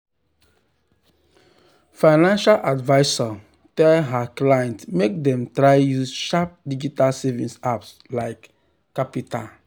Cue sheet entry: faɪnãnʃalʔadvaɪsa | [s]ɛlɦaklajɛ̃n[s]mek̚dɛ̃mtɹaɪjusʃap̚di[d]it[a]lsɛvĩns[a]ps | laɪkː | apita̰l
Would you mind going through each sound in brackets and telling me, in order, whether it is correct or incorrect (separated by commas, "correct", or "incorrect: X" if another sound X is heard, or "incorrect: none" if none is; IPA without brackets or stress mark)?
incorrect: t, incorrect: t, incorrect: d͡ʒ, correct, correct